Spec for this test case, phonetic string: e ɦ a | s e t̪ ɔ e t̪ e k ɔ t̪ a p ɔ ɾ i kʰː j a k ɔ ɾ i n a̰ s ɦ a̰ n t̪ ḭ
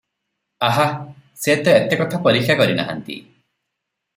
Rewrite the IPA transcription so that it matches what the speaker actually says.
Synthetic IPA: a ɦ a | s e t̪ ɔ e t̪ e k ɔ t̪ʰ a p ɔ ɾ i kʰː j a k ɔ ɾ i n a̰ ɦ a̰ n t̪ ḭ